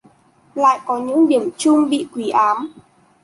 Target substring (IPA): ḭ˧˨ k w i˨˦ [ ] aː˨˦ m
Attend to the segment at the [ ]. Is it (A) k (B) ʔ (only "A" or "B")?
B